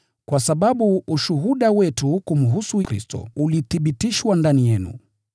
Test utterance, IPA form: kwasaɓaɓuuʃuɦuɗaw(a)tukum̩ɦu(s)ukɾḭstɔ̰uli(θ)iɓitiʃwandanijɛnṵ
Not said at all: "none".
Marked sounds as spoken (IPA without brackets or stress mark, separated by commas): ɛ, s, θ